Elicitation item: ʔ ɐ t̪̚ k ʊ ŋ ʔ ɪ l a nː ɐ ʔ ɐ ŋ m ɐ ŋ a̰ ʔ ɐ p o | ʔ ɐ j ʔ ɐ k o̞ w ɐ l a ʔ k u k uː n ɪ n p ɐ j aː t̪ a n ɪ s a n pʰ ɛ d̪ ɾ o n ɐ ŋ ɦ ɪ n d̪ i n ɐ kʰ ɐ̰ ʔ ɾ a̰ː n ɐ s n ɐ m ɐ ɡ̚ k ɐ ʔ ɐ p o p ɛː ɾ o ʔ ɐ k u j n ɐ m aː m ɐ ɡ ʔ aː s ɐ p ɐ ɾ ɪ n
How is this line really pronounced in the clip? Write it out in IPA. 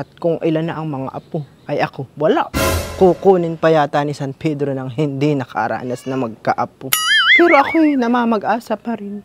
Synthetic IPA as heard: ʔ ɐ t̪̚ k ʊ ŋ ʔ ɪ l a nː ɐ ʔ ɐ ŋ m ɐ ŋ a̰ ʔ ɐ p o | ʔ ɐ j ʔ ɐ k o̞ w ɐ l a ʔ k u k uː n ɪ n p ɐ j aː t̪ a n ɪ s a n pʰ ɛ d̪ ɾ o n ɐ ŋ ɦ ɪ n d̪ i n ɐ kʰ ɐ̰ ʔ ɾ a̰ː n ɐ s n ɐ m ɐ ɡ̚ k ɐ ʔ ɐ p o p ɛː ɾ o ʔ ɐ k o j n ɐ m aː m ɐ ɡ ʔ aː s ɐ p ɐ ɾ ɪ n